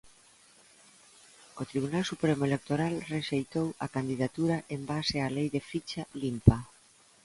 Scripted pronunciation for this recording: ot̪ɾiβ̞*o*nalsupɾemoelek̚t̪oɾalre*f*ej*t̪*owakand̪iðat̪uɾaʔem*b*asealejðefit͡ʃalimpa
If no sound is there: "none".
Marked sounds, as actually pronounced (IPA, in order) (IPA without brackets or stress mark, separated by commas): u, ʃ, t̪, b